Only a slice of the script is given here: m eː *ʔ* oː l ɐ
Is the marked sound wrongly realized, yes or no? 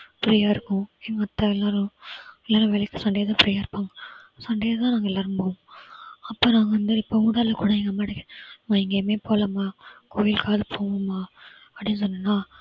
yes